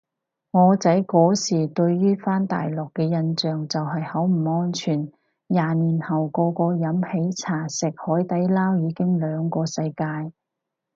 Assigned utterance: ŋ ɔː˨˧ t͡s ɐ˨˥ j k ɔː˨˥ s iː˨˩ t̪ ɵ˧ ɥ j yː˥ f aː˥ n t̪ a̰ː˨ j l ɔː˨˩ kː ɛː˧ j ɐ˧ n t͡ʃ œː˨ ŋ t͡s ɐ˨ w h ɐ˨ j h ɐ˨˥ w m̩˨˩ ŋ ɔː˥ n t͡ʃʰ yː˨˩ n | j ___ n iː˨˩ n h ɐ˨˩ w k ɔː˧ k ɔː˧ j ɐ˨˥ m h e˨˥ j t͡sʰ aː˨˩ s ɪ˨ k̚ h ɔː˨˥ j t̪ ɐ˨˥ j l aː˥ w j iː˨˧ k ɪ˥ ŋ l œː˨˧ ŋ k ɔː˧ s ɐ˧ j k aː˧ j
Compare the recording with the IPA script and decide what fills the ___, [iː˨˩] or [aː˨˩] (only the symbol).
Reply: aː˨˩